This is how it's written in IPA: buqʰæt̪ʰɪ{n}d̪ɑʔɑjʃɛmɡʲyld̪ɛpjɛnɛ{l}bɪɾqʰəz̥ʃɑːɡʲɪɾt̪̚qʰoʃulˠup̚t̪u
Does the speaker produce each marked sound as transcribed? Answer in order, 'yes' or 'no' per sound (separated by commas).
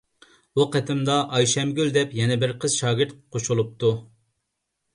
no, no